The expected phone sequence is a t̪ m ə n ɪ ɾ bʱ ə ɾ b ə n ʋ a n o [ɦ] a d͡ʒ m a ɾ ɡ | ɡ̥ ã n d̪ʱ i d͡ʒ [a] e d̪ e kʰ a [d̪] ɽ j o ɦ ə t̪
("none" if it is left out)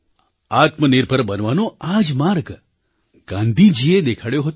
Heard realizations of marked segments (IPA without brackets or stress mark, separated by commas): none, i, none